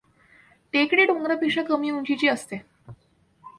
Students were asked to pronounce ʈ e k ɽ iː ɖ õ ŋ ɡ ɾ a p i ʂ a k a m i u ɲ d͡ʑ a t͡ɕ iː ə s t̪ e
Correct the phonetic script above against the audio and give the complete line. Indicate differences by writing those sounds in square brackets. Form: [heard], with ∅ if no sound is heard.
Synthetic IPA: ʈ e k ɽ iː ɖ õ ŋ ɡ ɾ a p i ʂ a k [ə] m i u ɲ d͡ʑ [i] t͡ɕ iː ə s t̪ e